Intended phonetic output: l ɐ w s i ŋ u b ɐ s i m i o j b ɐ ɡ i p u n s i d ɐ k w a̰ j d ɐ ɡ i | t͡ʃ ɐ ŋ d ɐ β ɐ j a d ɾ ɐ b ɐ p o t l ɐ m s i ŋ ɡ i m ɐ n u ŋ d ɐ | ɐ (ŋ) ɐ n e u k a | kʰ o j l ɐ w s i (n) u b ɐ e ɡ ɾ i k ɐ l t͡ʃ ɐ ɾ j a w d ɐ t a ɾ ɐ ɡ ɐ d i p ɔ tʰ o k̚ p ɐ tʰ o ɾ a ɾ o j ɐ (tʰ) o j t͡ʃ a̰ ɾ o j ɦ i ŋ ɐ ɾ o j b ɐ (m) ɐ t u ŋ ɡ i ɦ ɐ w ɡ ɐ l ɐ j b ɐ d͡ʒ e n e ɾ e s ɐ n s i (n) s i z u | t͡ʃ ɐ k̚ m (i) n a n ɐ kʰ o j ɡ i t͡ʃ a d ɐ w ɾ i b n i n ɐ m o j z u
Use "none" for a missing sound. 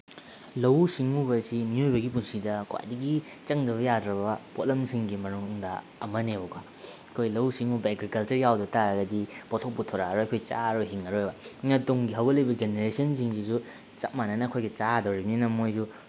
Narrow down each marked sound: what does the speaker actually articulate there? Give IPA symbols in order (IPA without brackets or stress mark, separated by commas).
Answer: m, ŋ, kʰ, ŋ, ŋ, a